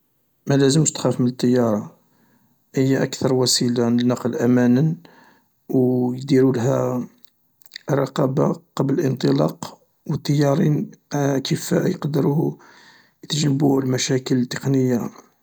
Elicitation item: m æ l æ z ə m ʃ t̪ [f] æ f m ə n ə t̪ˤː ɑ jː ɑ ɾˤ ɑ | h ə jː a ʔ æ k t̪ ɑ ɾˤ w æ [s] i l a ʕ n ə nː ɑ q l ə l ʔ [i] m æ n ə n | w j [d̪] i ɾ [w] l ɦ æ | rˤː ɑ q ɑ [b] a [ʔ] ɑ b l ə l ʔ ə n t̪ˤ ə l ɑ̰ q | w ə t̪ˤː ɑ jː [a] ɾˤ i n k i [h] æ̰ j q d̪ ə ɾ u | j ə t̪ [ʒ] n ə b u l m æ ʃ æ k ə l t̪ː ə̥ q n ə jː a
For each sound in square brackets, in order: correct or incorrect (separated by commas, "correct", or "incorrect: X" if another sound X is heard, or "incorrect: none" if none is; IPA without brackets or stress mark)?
incorrect: x, correct, incorrect: æ, correct, incorrect: u, correct, incorrect: q, incorrect: ɑ, incorrect: f, correct